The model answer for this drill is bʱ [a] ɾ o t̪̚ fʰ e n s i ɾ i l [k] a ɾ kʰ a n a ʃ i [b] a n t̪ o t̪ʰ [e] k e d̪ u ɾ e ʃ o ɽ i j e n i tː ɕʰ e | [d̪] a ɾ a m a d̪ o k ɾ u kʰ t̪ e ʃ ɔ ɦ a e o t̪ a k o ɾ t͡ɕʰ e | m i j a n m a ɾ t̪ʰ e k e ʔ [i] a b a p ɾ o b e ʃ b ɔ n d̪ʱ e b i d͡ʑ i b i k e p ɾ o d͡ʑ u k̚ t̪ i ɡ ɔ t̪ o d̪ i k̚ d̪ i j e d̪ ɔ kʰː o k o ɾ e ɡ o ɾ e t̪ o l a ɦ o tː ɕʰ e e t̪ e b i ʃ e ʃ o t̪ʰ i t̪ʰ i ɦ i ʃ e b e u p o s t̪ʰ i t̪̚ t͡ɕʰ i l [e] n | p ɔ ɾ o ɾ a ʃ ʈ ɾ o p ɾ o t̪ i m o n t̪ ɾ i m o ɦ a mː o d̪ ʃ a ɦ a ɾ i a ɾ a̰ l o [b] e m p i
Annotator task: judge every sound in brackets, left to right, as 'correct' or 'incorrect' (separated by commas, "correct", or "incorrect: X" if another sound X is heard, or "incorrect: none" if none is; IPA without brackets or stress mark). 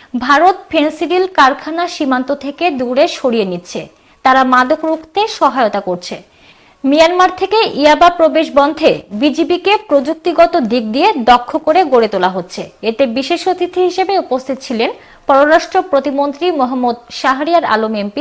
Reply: correct, correct, incorrect: m, correct, incorrect: t̪, correct, correct, incorrect: m